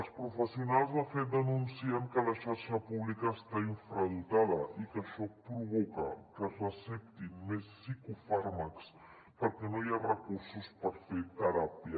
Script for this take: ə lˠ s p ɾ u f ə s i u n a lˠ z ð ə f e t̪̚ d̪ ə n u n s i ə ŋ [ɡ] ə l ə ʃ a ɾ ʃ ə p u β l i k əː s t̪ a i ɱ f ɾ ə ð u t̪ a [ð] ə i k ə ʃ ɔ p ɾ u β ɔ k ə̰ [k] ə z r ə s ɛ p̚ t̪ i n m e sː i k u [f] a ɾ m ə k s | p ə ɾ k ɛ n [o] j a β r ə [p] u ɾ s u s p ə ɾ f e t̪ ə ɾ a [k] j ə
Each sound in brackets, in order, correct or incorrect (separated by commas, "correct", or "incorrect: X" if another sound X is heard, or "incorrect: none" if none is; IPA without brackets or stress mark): incorrect: k, correct, correct, correct, correct, incorrect: k, incorrect: p